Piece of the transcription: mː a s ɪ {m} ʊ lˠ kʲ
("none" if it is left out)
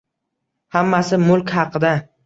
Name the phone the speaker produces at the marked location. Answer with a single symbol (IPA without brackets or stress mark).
m